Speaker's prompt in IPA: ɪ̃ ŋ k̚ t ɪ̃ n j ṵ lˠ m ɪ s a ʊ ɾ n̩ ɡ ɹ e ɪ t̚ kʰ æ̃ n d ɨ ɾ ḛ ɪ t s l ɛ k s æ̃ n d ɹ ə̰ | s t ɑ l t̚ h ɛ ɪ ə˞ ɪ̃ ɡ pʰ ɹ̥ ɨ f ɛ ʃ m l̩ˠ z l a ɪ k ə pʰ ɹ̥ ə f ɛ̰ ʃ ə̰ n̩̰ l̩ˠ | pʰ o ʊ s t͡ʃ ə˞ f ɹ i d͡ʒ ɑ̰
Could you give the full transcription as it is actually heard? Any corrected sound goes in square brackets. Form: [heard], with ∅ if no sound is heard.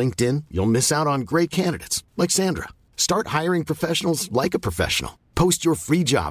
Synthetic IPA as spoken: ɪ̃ ŋ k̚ t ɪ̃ n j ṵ lˠ m ɪ s a ʊ ɾ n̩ ɡ ɹ e ɪ t̚ kʰ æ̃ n d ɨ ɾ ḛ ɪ t s l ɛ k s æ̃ n d ɹ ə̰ | s t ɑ [ɹ] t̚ h [a] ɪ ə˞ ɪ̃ [ŋ] pʰ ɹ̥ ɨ f ɛ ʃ [n] l̩ˠ z l a ɪ k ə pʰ ɹ̥ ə f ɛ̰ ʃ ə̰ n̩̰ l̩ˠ | pʰ o ʊ s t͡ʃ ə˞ f ɹ i d͡ʒ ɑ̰